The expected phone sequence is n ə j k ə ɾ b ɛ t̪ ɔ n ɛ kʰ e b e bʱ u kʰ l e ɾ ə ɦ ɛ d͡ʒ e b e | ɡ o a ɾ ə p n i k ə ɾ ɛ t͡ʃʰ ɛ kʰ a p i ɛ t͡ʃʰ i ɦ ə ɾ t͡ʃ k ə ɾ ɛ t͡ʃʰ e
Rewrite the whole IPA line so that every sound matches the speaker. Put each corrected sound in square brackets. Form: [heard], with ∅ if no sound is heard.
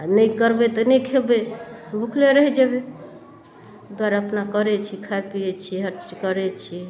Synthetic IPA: n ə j k ə ɾ b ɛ t̪ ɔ n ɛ kʰ e b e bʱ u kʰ l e ɾ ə ɦ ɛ d͡ʒ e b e | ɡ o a ɾ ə p n [a] k ə ɾ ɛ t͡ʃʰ [i] kʰ a p i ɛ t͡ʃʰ i ɦ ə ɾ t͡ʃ k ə ɾ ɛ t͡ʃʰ [i]